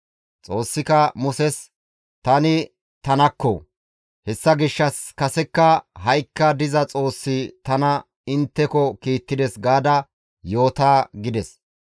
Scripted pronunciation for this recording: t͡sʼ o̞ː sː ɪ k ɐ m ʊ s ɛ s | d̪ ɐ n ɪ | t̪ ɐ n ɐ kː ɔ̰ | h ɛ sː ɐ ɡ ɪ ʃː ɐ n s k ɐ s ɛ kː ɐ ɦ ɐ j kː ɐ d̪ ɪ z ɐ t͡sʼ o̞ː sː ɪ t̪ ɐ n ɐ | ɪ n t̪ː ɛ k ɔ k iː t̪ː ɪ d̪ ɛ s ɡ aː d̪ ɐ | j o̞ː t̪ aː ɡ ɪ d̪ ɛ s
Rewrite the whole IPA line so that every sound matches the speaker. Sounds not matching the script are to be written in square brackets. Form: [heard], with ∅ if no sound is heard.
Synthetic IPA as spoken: t͡sʼ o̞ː sː ɪ k ɐ m ʊ s ɛ s | [t̪] ɐ n ɪ | t̪ ɐ n ɐ kː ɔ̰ | h ɛ sː ɐ ɡ ɪ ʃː ɐ [∅] s k ɐ s ɛ kː ɐ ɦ ɐ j kː ɐ d̪ ɪ z ɐ t͡sʼ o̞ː sː ɪ t̪ ɐ n ɐ | ɪ n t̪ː ɛ k ɔ k iː t̪ː ɪ d̪ ɛ s ɡ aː d̪ ɐ | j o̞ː t̪ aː ɡ ɪ d̪ ɛ s